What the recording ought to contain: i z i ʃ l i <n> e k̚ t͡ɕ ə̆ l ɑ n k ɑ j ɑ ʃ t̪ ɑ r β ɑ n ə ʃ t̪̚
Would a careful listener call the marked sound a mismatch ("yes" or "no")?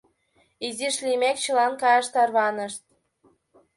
yes